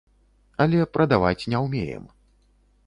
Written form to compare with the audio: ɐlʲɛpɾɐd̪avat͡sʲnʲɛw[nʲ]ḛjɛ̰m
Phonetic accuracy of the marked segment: incorrect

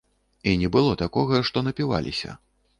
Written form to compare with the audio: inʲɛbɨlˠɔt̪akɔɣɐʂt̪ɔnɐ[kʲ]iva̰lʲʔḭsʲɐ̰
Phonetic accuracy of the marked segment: incorrect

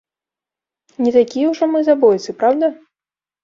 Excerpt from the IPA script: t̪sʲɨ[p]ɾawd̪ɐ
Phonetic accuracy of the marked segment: correct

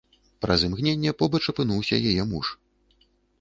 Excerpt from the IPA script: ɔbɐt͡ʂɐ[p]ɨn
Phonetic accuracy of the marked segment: correct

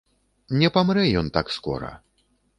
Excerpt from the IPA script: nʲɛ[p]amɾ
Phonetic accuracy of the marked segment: correct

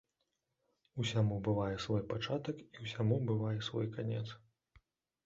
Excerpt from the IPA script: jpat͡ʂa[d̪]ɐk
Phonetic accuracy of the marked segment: incorrect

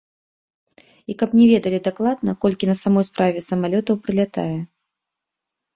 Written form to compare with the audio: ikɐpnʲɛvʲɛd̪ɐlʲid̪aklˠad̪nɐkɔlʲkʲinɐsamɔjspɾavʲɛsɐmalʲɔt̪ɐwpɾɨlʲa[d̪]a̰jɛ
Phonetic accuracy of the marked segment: incorrect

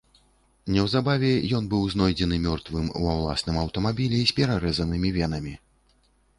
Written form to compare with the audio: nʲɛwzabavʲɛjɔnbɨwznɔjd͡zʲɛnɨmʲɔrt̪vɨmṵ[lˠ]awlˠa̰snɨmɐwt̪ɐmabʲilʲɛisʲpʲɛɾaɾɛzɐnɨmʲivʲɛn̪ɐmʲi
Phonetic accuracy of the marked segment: incorrect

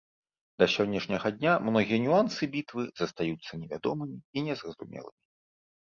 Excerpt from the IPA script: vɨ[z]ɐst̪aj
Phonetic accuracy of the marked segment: correct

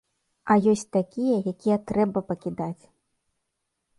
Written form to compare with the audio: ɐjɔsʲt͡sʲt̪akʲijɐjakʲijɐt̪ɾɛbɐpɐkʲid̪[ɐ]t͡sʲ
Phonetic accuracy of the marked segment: incorrect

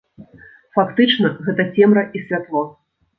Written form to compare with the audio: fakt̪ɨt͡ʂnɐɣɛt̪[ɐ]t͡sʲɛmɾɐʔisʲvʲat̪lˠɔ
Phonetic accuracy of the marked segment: correct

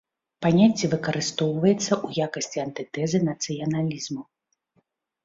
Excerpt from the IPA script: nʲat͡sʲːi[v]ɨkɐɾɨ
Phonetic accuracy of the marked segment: correct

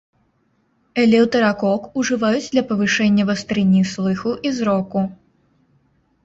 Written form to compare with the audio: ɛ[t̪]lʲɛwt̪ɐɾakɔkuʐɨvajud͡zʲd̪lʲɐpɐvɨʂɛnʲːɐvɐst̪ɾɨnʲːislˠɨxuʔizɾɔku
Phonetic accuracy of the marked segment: incorrect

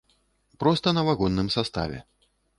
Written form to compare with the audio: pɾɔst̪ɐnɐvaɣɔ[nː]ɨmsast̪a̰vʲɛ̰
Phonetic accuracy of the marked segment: correct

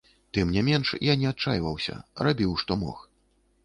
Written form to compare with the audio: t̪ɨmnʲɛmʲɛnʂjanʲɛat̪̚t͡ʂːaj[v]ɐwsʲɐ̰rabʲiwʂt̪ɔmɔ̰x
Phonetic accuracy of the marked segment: correct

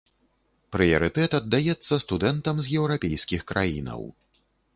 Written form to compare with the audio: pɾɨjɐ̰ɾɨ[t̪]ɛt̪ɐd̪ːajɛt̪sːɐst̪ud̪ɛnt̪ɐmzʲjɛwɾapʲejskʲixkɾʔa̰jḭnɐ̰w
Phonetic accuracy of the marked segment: correct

